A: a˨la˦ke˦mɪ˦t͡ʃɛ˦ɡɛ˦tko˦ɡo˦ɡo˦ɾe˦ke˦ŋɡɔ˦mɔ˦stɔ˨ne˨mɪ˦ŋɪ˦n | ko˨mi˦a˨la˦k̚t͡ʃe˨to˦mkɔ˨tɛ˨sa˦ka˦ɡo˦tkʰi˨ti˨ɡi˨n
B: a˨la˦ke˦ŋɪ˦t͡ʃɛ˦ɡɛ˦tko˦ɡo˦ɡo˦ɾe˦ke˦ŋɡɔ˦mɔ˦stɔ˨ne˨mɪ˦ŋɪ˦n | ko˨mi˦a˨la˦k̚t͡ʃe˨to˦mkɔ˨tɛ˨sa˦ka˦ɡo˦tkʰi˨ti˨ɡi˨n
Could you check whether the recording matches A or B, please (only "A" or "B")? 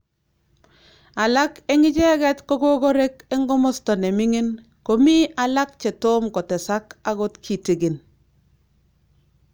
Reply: B